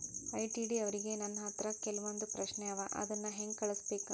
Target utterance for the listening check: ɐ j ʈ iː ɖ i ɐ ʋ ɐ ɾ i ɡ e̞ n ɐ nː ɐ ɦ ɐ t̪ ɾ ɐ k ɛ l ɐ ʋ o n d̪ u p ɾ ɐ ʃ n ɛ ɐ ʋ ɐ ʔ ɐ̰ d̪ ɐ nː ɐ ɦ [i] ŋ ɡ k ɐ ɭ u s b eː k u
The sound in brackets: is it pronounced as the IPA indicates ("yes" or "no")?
no